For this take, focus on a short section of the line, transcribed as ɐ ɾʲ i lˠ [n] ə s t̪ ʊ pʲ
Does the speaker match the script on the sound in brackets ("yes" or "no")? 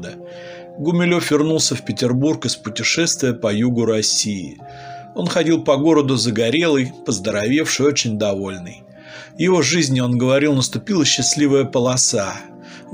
yes